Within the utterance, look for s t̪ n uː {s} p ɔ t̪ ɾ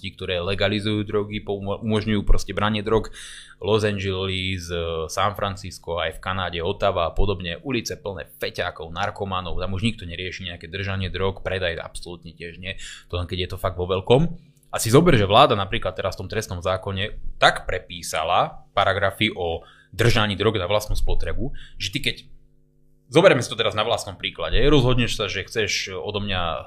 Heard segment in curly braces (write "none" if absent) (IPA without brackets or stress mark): s